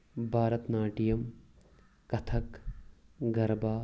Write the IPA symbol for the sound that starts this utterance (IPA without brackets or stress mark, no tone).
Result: bʱ